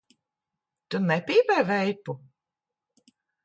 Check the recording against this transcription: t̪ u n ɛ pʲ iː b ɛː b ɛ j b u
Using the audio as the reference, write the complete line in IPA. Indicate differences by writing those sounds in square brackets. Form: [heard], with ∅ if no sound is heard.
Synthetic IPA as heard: t̪ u n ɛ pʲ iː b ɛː [v] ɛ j [p] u